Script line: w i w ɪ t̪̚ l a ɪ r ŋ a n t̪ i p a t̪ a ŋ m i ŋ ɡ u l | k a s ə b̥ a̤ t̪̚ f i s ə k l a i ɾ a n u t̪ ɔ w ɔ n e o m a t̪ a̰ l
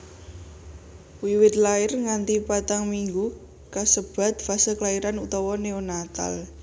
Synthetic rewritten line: w i w ɪ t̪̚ l a ɪ r ŋ a n t̪ i p a t̪ a ŋ m i ŋ ɡ u | k a s ə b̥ a̤ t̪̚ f a s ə k l a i ɾ a n u t̪ ɔ w ɔ n e o n a t̪ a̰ l